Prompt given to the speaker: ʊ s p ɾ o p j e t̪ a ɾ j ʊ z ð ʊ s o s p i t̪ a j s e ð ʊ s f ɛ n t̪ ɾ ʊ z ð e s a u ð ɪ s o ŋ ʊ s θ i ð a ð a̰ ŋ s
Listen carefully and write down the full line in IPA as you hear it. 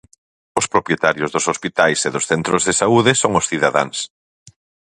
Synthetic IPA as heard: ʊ s p ɾ o p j e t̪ a ɾ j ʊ z ð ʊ s o s p i t̪ a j s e ð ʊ s θ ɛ n t̪ ɾ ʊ z ð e s a u ð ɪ s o ŋ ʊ s θ i ð a ð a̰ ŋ s